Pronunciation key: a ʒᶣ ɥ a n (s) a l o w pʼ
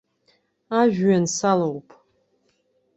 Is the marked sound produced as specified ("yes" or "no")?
yes